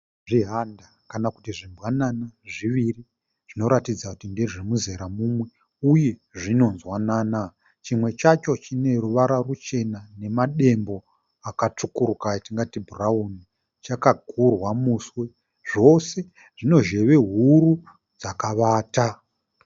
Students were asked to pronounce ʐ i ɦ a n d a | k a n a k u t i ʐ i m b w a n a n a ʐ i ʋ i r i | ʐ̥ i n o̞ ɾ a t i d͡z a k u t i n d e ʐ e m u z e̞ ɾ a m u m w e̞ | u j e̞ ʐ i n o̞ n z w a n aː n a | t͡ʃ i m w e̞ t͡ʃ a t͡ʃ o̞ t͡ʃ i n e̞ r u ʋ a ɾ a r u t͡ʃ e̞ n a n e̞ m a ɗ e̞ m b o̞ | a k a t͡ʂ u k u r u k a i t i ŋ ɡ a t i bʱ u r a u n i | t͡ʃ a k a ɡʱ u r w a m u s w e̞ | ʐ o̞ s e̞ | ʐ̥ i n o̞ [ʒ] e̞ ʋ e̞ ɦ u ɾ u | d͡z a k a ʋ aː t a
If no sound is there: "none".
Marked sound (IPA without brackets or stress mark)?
ʒ